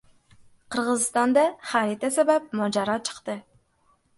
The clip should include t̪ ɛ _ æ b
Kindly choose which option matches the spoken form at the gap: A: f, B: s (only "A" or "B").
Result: B